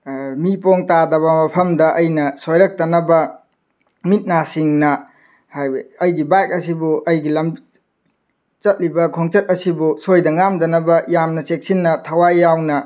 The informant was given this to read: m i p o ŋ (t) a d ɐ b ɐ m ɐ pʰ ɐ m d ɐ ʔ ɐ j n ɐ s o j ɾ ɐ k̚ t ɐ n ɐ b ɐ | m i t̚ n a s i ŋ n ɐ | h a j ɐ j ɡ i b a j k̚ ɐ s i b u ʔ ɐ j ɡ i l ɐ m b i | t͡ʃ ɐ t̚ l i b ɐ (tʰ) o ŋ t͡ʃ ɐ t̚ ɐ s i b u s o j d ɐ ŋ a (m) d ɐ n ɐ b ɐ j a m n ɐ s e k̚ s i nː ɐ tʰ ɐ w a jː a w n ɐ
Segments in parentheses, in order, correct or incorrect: correct, incorrect, correct

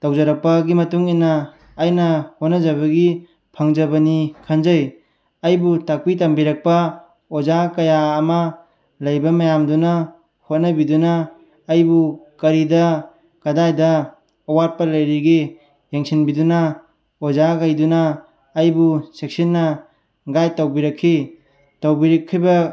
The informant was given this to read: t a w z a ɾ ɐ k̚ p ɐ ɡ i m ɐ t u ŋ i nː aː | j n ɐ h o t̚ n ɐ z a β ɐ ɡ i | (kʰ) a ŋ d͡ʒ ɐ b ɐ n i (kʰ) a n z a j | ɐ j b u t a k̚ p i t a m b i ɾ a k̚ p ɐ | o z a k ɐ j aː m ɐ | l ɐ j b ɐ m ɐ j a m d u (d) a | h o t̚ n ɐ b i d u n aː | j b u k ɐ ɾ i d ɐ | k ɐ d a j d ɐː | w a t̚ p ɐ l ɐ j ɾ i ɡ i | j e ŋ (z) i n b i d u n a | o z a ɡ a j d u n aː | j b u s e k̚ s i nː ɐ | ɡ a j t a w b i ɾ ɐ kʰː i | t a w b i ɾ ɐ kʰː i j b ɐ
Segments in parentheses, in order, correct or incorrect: incorrect, correct, incorrect, incorrect

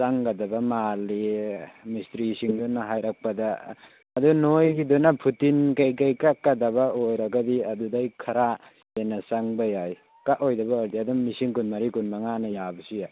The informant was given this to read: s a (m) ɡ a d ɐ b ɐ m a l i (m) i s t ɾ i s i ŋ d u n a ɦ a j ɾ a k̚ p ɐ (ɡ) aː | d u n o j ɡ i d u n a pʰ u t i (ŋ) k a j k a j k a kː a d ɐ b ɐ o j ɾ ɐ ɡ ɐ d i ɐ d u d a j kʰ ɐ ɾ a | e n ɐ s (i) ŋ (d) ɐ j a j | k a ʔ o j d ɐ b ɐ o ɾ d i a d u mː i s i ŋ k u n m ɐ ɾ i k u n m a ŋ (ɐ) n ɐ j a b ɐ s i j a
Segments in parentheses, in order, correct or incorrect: incorrect, correct, incorrect, incorrect, incorrect, incorrect, incorrect

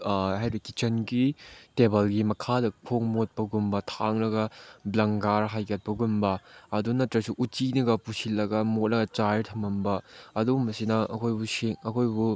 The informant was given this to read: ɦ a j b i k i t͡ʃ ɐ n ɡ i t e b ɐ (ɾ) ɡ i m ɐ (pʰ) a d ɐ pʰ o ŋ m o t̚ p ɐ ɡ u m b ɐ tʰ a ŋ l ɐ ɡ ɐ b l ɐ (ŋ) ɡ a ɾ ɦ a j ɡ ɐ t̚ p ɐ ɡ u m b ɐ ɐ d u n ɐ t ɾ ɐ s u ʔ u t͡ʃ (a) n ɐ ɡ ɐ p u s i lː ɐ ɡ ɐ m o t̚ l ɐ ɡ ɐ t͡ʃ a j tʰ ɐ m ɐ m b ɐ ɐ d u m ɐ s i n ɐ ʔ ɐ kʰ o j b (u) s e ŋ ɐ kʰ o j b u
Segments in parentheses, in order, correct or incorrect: incorrect, incorrect, correct, incorrect, correct

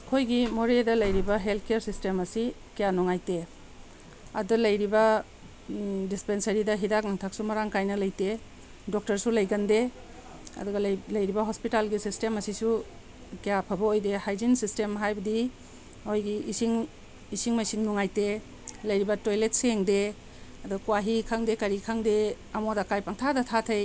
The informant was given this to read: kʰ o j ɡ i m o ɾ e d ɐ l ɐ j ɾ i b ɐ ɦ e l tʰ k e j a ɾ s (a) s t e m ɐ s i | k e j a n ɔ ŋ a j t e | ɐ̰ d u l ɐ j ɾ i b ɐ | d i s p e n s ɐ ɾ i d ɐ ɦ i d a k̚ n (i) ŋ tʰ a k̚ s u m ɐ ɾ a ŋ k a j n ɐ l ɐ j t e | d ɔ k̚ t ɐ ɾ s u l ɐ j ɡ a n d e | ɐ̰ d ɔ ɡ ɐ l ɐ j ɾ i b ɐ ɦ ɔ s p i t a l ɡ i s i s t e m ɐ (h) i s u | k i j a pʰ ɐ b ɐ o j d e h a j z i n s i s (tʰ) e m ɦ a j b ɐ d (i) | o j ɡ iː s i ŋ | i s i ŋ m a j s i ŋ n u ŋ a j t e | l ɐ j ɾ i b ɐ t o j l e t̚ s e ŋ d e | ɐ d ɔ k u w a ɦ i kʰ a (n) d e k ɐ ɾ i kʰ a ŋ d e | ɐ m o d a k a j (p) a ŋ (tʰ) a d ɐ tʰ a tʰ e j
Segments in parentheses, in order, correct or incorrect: incorrect, incorrect, incorrect, incorrect, correct, incorrect, correct, correct

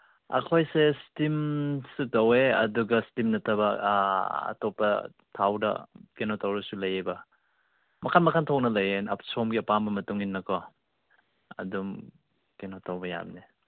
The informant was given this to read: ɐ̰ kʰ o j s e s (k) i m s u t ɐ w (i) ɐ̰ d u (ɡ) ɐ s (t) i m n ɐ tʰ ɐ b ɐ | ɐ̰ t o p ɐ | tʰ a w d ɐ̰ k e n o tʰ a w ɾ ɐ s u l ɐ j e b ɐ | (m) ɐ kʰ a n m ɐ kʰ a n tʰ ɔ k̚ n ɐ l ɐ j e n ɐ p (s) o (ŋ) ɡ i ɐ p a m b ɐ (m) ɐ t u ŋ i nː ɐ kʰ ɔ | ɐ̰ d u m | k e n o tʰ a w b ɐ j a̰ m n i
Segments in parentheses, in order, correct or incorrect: incorrect, incorrect, correct, correct, correct, correct, incorrect, correct

